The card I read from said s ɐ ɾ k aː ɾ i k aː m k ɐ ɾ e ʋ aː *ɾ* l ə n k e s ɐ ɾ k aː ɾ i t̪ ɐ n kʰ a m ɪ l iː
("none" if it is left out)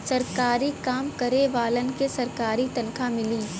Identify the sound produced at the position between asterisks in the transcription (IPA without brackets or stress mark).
none